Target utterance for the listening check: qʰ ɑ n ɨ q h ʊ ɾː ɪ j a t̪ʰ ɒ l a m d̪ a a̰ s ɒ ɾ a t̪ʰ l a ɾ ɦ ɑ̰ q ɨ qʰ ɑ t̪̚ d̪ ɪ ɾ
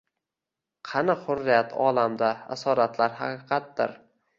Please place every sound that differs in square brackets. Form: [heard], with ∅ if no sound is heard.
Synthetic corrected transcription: qʰ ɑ n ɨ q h ʊ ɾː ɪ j a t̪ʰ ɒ l a m d̪ a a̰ s ɒ ɾ a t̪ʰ l a ɾ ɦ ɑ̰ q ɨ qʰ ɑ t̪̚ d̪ ɪ ɾ